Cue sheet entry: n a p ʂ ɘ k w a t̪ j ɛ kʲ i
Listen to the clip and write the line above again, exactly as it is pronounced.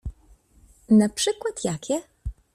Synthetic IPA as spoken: n a p ʂ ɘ k w a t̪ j a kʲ ɛ

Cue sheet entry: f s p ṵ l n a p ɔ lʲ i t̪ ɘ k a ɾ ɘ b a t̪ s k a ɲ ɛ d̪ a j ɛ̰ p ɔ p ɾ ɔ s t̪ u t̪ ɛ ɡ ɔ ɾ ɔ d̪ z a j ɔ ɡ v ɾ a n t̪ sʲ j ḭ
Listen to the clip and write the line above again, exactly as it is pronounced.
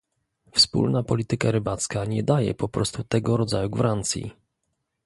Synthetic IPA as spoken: f s p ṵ l n a p ɔ lʲ i t̪ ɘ k a ɾ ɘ b a t̪ s k a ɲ ɛ d̪ a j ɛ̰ p ɔ p ɾ ɔ s t̪ u t̪ ɛ ɡ ɔ ɾ ɔ d̪ z a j u ɡ v ɾ a n t̪ sʲ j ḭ

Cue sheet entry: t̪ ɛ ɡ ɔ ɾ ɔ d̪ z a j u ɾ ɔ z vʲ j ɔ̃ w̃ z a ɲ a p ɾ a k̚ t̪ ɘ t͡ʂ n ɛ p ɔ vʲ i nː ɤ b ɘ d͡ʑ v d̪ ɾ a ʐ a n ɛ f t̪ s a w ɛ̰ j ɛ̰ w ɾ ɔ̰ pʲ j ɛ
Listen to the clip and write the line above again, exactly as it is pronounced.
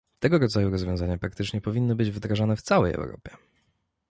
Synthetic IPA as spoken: t̪ ɛ ɡ ɔ ɾ ɔ d̪ z a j u ɾ ɔ z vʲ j ɔ̃ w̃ z a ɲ a p ɾ a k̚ t̪ ɘ t͡ʂ ɲ ɛ p ɔ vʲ i nː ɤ b ɘ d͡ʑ v d̪ ɾ a ʐ a n ɛ f t̪ s a w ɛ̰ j ɛ̰ w ɾ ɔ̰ pʲ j ɛ

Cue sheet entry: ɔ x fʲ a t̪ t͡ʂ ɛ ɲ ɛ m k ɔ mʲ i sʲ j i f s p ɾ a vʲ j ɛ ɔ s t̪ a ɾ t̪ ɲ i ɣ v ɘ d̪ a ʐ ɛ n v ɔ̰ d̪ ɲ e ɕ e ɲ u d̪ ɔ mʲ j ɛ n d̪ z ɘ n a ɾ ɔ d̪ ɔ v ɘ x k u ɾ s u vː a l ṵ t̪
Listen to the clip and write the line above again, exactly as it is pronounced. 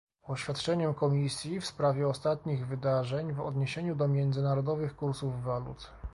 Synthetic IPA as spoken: ɔ ɕ fʲ a t̪ t͡ʂ ɛ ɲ ɛ m k ɔ mʲ i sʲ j i f s p ɾ a vʲ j ɛ ɔ s t̪ a t̪ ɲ i ɣ v ɘ d̪ a ʐ ɛ ɲ v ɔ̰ d̪ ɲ e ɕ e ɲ u d̪ ɔ mʲ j ɛ n d̪ z ɘ n a ɾ ɔ d̪ ɔ v ɘ x k u ɾ s u vː a l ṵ t̪

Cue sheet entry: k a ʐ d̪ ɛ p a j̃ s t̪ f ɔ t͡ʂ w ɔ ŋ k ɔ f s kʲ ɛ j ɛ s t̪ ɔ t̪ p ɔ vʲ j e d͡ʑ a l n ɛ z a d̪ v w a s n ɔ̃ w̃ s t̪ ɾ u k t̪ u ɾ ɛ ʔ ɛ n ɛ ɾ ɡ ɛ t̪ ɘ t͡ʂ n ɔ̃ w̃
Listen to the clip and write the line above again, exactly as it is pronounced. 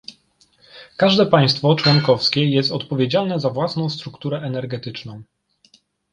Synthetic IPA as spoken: k a ʐ d̪ ɛ p a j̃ s t̪ f ɔ t͡ʂ w ɔ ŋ k ɔ f s kʲ ɛ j ɛ s t̪ ɔ t̪ p ɔ vʲ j e d͡ʑ a l n ɛ z a v w a s n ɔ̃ w̃ s t̪ ɾ u k t̪ u ɾ ɛ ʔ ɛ n ɛ ɾ ɡ ɛ t̪ ɘ t͡ʂ n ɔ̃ w̃

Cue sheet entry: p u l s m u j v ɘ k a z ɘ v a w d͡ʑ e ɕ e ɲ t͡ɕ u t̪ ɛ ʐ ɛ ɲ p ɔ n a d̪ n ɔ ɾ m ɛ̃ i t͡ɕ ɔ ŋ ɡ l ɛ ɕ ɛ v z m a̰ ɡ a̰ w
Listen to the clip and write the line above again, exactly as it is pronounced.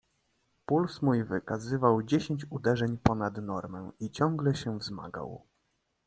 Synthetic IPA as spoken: p u l s m u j v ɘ k a z ɘ v a w d͡ʑ e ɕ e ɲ t͡ɕ u d̪ ɛ ʐ ɛ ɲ p ɔ n a d̪ n ɔ ɾ m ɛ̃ i t͡ɕ ɔ ŋ ɡ l ɛ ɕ ɛ v z m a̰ ɡ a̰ w

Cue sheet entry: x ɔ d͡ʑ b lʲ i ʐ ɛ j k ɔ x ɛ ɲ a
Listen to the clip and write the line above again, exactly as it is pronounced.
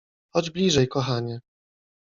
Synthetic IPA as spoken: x ɔ d͡ʑ b lʲ i ʐ ɛ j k ɔ x a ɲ ɛ

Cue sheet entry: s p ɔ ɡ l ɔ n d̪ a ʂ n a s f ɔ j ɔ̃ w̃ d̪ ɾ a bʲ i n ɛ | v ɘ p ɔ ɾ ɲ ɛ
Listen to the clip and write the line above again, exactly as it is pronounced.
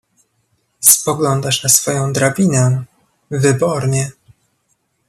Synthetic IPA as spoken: s p ɔ ɡ l ɔ n d̪ a ʂ n a s f ɔ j ɔ̃ w̃ d̪ ɾ a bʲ i n ɛ | v ɘ b ɔ ɾ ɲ ɛ

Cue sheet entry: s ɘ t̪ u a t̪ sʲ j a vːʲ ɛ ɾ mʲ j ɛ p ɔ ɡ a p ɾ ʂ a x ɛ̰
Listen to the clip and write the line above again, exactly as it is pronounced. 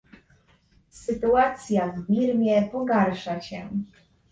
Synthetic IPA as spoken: s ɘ t̪ u a t̪ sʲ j a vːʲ i ɾ mʲ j ɛ p ɔ ɡ a ɾ ʂ a ɕ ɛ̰

